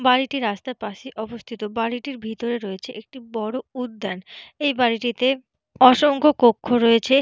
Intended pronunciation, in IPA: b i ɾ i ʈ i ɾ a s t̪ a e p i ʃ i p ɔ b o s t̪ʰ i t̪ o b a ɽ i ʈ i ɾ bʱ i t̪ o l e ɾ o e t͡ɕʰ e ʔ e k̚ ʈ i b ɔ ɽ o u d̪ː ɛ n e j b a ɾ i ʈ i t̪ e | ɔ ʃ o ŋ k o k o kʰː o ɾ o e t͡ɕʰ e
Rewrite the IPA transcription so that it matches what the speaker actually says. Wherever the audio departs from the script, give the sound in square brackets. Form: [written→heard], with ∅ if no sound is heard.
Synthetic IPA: b [i→a] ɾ i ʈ i ɾ a s t̪ a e p [i→a] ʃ i [p→ʔ] ɔ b o s t̪ʰ i t̪ o b a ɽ i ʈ i ɾ bʱ i t̪ o [l→ɾ] e ɾ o e t͡ɕʰ e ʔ e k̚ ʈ i b ɔ ɽ o u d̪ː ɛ n e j b a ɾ i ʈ i t̪ e | ɔ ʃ o ŋ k o k o kʰː o ɾ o e t͡ɕʰ e